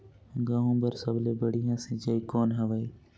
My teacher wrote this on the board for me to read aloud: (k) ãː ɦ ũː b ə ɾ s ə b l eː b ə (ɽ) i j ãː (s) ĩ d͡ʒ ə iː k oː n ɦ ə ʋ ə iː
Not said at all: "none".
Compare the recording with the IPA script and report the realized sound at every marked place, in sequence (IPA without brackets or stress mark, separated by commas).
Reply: ɡ, ɽ, s